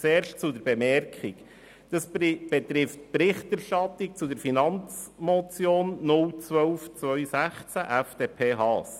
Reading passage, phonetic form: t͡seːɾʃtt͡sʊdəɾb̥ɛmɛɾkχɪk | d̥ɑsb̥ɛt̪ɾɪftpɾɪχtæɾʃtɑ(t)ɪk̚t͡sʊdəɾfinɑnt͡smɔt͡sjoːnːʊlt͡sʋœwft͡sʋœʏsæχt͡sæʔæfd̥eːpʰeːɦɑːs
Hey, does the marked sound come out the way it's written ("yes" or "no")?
yes